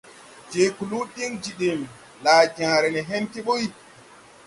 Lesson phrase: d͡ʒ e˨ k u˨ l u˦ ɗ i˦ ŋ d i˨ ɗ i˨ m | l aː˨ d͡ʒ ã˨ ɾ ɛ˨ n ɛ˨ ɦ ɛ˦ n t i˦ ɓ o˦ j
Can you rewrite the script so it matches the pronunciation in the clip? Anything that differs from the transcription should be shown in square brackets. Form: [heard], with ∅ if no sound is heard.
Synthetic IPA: d͡ʒ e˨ k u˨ l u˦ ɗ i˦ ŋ [d͡ʒ] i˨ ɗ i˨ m | l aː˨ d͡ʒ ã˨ ɾ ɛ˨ n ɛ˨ ɦ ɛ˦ n t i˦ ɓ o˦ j